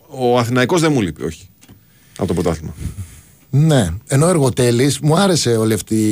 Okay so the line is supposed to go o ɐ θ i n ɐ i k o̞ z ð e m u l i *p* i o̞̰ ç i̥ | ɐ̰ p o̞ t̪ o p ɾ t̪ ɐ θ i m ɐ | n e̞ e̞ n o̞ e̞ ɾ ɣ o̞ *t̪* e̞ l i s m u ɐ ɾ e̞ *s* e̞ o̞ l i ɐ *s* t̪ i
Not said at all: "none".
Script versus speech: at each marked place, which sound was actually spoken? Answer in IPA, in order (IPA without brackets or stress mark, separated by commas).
p, t̪, s, f